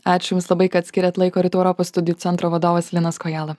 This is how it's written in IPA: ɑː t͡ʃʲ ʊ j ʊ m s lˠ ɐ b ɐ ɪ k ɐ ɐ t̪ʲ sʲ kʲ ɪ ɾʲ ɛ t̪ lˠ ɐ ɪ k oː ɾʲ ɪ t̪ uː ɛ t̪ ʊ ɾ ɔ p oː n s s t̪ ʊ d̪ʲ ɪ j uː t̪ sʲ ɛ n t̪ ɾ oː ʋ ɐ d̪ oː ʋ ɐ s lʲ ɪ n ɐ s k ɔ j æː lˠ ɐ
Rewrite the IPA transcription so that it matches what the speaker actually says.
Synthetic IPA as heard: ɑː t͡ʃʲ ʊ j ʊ m s lˠ ɐ b ɐ ɪ k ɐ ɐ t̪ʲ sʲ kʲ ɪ ɾʲ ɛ t̪ lˠ ɐ ɪ k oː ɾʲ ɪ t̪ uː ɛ ʊ ɾ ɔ p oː s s t̪ ʊ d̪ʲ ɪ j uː t̪ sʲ ɛ n t̪ ɾ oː ʋ ɐ d̪ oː ʋ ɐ s lʲ ɪ n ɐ s k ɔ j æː lˠ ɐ